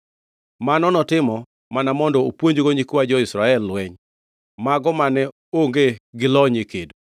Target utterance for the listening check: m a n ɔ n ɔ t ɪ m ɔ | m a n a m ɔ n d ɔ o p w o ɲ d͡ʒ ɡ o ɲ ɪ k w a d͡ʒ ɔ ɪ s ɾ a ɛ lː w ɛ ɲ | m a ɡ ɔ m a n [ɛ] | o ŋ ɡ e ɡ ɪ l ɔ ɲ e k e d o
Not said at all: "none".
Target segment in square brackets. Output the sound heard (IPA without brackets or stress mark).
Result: ɛ